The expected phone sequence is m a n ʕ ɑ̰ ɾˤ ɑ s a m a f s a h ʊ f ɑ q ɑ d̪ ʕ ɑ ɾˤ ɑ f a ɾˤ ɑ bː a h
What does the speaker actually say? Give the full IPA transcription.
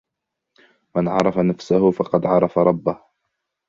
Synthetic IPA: m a n ʕ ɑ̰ ɾˤ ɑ f a n a f s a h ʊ f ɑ q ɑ d̪ ʕ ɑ ɾˤ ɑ f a ɾˤ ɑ bː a h

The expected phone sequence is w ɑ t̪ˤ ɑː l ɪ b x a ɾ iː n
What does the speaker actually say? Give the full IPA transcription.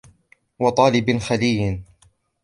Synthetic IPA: w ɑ t̪ˤ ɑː l ɪ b x a l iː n

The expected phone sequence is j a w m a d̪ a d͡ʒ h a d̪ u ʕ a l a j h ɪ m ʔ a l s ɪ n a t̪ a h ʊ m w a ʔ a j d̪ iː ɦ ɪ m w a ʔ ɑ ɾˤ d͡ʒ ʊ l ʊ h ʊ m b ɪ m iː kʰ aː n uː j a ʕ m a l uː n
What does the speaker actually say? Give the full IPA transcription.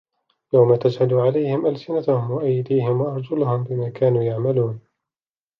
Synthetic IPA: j a w m a t̪ a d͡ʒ h a d̪ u ʕ a l a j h ɪ m ʔ a l s ɪ n a t̪ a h ʊ m w a ʔ a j d̪ iː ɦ ɪ m w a ʔ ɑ ɾˤ d͡ʒ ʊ l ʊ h ʊ m b ɪ m aː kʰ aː n uː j a ʕ m a l uː n

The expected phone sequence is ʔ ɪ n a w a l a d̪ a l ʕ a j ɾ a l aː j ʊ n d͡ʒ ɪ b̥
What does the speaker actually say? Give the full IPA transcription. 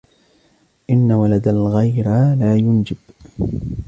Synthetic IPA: ʔ ɪ nː a w a l a d̪ a l ɣ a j ɾ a l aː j ʊ n d͡ʒ ɪ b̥

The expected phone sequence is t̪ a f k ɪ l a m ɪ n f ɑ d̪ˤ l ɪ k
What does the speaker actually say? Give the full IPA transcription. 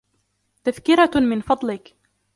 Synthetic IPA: t̪ a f k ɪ ɾ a m ɪ n f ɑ d̪ˤ l ɪ k

